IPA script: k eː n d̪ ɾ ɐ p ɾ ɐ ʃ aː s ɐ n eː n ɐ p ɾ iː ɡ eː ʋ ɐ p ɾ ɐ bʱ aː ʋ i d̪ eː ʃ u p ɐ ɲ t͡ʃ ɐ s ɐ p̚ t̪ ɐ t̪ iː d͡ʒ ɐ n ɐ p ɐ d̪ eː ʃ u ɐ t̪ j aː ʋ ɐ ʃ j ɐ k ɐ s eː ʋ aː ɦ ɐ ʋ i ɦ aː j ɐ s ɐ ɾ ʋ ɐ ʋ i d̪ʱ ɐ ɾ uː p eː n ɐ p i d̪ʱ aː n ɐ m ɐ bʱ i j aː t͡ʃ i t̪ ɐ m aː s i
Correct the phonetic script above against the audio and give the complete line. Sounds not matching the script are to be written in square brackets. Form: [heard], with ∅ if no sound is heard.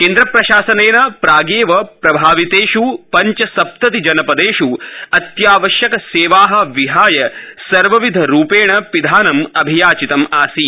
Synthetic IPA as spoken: k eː n d̪ ɾ ɐ p ɾ ɐ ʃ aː s ɐ n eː n ɐ p ɾ [aː] ɡ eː ʋ ɐ p ɾ ɐ bʱ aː ʋ i [t̪] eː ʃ u p ɐ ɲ t͡ʃ ɐ s ɐ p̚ t̪ ɐ t̪ [i] d͡ʒ ɐ n ɐ p ɐ d̪ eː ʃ u ɐ t̪ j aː ʋ ɐ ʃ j ɐ k ɐ s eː ʋ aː ɦ ɐ ʋ i ɦ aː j ɐ s ɐ ɾ ʋ ɐ ʋ i d̪ʱ ɐ ɾ uː p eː [ɳ] ɐ p i d̪ʱ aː n ɐ m ɐ bʱ i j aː t͡ʃ i t̪ ɐ m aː s i